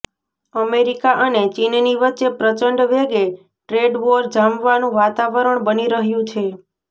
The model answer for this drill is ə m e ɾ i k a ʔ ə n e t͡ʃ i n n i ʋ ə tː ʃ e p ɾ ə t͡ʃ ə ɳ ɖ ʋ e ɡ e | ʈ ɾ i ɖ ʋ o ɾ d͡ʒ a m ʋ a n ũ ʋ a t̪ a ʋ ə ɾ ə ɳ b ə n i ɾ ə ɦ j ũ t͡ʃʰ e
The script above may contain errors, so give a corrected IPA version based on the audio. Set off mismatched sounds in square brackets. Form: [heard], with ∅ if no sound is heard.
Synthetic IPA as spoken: ə m e ɾ i k a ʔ ə n e t͡ʃ i n n i ʋ ə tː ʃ e p ɾ ə t͡ʃ ə ɳ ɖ ʋ e ɡ e | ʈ ɾ [e] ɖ ʋ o ɾ d͡ʒ a m ʋ a n ũ ʋ a t̪ a ʋ ə ɾ ə ɳ b ə n i ɾ ə ɦ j ũ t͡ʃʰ e